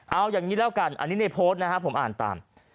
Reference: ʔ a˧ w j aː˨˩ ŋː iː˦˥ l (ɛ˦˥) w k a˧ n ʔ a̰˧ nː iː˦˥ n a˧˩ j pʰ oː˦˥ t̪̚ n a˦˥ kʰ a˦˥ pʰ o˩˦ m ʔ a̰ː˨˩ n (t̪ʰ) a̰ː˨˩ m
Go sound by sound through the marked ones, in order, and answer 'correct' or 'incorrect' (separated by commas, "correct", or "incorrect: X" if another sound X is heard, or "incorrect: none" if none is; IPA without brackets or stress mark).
incorrect: ɛː˦˥, incorrect: t̪